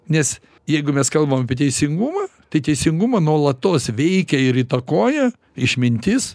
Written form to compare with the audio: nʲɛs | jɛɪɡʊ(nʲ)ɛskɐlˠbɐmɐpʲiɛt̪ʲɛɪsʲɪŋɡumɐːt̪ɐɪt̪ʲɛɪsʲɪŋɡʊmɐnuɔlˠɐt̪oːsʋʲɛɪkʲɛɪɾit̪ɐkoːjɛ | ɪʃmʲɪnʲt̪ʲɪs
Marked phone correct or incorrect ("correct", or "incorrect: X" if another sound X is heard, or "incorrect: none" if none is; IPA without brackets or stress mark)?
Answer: incorrect: mʲ